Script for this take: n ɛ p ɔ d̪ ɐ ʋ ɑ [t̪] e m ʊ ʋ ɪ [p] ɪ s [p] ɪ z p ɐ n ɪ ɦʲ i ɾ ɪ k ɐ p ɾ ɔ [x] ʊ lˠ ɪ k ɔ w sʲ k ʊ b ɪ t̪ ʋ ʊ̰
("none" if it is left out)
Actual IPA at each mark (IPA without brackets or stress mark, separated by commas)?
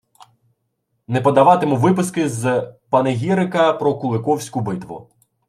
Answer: t̪, p, k, k